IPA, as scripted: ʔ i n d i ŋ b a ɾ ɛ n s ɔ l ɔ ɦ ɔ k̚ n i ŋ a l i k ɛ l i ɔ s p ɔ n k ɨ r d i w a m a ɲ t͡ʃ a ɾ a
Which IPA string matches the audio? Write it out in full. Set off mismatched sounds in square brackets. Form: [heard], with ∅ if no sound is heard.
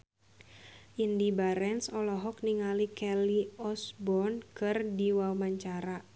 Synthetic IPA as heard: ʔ i n d i [∅] b a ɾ ɛ n s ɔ l ɔ ɦ ɔ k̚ n i ŋ a l i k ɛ l i ɔ s [b] ɔ n k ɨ r d i w a m a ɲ t͡ʃ a ɾ a